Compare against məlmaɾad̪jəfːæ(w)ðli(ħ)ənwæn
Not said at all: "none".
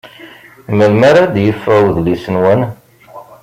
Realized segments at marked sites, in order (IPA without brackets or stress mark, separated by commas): w, s